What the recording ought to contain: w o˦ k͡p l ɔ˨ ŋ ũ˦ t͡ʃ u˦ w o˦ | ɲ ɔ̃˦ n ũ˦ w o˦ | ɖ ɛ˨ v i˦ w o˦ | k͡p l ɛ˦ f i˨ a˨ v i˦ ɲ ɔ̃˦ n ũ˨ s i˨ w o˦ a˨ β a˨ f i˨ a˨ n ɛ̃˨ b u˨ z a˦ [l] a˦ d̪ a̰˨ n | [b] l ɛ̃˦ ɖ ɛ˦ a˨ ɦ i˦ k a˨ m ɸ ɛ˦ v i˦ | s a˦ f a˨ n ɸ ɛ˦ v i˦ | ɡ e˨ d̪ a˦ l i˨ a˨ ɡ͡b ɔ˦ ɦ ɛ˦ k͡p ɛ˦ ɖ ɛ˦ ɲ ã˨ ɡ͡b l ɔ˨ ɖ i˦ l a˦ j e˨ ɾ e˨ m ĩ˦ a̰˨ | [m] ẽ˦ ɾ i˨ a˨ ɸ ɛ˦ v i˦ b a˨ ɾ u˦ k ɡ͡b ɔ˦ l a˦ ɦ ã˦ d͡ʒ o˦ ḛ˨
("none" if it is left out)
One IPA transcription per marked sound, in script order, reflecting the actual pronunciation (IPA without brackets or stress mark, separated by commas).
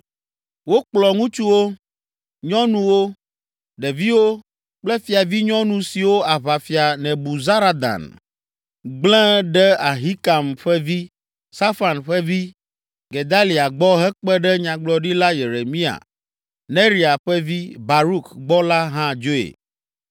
ɾ, ɡ͡b, n